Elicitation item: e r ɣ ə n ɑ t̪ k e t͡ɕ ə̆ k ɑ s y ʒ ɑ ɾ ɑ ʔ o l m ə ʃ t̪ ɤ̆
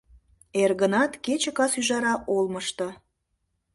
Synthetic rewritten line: e r ɣ ə n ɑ t̪ k e t͡ɕ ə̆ k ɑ s y ʒ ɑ ɾ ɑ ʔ o l m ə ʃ t̪ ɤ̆